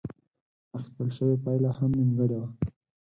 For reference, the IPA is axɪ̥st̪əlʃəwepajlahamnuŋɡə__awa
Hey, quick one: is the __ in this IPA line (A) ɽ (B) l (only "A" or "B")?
A